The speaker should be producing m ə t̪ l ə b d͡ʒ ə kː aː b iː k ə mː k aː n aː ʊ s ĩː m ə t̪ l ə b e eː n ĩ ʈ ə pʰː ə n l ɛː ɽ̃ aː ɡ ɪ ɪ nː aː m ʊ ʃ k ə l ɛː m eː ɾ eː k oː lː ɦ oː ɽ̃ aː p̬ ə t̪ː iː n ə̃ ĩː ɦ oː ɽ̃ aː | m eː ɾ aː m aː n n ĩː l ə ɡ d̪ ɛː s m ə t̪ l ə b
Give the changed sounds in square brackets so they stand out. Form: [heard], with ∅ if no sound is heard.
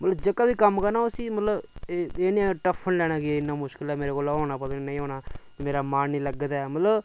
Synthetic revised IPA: m ə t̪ l ə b d͡ʒ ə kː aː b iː k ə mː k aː n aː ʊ s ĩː m ə t̪ l ə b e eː n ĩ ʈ ə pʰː ə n l ɛː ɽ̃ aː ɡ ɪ ɪ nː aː m ʊ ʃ k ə l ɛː m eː ɾ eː k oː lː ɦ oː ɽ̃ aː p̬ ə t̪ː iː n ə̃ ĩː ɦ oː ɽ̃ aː | m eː ɾ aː m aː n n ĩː l ə ɡ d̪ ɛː [∅] m ə t̪ l ə b